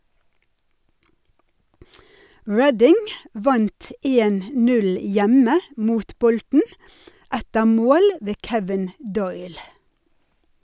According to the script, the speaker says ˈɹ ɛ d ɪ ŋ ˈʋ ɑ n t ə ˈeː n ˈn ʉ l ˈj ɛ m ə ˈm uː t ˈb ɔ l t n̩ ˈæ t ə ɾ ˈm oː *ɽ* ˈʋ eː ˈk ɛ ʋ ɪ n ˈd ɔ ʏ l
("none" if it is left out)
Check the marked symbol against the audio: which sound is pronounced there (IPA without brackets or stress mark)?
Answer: l